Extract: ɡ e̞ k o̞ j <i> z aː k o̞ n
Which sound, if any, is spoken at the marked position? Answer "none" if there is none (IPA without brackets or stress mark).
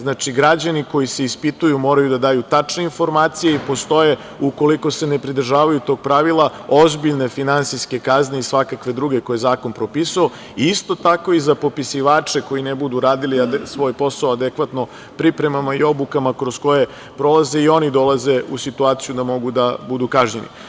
e